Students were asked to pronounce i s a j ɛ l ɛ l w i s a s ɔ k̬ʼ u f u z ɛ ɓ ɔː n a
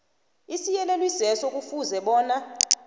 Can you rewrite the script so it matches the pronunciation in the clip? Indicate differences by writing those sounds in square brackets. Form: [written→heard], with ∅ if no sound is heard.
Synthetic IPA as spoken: i s [a→i] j ɛ l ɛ l w i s [a→ɛ] s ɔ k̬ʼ u f u z ɛ ɓ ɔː n a